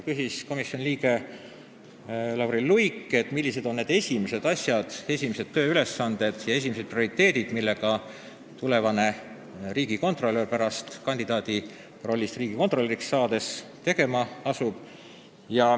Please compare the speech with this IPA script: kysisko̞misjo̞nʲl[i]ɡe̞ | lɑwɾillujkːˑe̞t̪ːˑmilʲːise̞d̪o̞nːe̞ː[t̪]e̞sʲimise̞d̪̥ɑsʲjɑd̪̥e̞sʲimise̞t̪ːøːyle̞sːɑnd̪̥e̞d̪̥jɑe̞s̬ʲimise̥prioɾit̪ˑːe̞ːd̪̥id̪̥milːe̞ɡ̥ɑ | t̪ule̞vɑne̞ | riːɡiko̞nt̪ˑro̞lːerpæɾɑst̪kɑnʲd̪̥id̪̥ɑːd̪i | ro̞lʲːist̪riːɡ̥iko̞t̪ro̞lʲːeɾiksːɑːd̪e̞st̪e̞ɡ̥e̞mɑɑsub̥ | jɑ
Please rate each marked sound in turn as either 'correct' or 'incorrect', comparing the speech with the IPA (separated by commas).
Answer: incorrect, incorrect